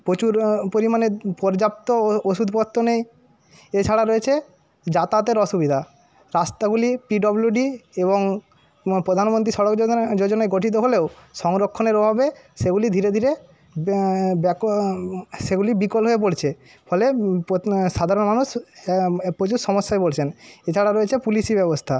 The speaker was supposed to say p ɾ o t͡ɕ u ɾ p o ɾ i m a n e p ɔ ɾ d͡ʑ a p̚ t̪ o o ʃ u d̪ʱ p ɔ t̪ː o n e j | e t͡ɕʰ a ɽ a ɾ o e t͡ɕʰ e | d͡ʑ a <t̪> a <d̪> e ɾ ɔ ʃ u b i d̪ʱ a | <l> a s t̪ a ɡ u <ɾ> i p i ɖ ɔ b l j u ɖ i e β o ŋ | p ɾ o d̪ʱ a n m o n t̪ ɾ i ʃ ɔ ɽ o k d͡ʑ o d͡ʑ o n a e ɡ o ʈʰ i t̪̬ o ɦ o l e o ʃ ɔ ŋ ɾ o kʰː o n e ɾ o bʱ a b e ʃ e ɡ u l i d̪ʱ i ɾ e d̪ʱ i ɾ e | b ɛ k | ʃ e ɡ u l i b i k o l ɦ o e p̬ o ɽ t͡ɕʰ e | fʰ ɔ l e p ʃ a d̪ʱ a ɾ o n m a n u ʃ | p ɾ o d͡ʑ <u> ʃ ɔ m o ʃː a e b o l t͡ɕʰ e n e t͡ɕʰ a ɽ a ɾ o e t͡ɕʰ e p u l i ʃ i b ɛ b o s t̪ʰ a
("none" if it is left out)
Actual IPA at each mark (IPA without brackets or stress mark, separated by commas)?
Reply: t̪, t̪, ɾ, l, u